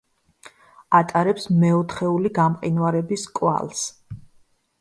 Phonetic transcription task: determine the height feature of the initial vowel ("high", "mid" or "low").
low